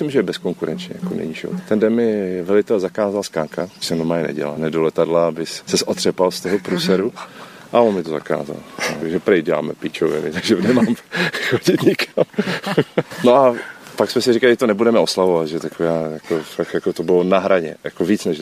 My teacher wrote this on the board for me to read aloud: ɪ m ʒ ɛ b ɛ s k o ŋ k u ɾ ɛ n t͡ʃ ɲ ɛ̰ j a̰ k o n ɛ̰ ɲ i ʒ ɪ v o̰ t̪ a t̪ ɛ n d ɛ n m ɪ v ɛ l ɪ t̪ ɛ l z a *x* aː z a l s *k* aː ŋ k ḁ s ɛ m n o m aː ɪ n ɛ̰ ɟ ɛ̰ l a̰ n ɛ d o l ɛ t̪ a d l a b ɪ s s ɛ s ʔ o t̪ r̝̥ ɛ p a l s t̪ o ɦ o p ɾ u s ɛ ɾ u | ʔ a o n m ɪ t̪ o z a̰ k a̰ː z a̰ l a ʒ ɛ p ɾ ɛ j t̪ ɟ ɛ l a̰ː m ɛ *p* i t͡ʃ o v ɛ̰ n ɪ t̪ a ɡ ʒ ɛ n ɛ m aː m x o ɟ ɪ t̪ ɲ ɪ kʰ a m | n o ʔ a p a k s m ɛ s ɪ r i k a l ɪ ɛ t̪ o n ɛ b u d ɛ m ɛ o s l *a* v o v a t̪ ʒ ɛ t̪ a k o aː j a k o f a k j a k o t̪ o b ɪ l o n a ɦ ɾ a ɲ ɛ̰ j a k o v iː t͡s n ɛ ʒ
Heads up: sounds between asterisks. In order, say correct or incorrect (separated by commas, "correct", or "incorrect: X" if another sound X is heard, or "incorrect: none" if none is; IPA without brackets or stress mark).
incorrect: k, correct, correct, correct